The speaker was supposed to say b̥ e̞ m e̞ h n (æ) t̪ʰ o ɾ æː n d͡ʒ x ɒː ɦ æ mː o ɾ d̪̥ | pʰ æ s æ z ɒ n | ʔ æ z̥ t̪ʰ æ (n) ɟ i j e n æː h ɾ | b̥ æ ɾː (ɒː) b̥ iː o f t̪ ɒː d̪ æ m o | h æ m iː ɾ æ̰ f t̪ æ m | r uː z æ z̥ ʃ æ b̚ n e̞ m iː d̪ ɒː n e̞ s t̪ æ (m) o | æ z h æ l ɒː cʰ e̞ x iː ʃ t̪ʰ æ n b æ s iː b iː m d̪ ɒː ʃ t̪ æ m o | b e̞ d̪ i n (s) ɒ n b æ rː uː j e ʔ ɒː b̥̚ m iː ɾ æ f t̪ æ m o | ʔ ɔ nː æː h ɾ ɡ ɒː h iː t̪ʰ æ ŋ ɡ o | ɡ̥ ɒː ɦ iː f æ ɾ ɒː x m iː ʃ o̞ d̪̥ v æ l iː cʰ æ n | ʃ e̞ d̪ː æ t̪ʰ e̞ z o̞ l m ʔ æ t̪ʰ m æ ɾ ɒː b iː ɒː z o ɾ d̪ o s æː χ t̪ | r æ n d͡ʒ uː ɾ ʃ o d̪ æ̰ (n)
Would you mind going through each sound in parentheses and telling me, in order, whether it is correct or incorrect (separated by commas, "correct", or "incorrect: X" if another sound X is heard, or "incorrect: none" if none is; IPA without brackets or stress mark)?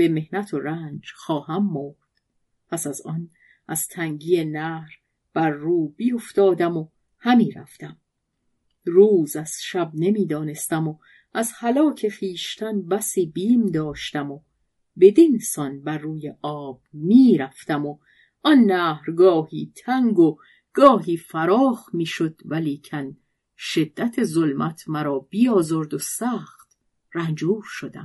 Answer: correct, incorrect: ŋ, incorrect: uː, correct, correct, incorrect: m